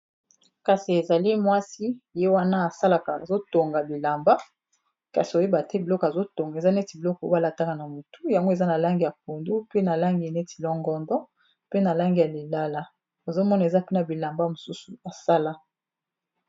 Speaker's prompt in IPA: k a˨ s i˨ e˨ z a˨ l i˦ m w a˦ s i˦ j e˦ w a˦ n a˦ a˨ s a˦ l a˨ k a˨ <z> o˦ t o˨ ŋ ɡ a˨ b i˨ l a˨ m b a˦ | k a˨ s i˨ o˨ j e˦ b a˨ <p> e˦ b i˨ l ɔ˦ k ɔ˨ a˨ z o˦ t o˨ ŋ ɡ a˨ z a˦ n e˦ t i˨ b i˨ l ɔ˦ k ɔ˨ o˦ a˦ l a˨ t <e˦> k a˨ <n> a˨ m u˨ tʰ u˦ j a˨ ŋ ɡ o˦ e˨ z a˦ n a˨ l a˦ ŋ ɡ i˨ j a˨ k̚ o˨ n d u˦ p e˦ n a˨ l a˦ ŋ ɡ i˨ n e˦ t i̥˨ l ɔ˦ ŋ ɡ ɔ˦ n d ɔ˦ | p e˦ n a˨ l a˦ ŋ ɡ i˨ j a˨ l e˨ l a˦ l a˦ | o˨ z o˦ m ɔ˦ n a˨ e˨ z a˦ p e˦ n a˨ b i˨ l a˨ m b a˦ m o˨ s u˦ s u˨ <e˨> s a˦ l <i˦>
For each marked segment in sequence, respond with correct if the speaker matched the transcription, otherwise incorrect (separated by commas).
correct, incorrect, incorrect, correct, incorrect, incorrect